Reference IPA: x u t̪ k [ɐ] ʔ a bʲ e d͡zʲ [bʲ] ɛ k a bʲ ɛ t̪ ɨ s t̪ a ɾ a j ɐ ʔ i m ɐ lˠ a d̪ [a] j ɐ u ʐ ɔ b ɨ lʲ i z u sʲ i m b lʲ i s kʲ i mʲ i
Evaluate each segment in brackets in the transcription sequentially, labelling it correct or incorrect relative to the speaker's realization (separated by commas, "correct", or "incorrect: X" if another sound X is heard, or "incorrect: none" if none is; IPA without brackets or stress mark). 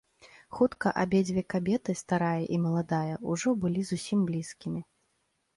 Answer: correct, incorrect: vʲ, correct